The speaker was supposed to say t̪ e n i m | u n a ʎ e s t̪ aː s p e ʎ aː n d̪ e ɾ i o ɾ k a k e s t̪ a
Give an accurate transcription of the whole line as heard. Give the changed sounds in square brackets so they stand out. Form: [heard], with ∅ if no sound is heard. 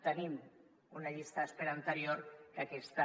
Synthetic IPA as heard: t̪ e n i m | u n a ʎ [i] s t̪ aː s p e [ɾ] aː n [t̪] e ɾ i o ɾ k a k e s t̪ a